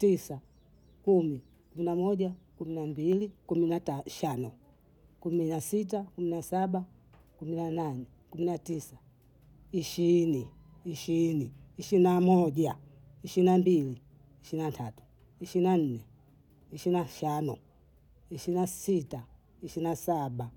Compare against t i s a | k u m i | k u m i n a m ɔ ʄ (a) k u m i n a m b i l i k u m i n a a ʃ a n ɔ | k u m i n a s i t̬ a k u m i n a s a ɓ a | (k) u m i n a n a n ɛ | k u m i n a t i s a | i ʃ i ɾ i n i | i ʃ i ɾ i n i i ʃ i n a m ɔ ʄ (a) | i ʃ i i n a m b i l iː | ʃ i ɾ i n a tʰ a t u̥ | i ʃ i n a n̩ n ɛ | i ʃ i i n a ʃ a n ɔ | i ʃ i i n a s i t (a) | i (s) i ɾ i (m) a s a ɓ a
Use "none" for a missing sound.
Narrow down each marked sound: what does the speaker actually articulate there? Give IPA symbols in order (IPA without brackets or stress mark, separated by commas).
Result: a, k, a, a, ʃ, n